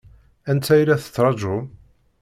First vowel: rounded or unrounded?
unrounded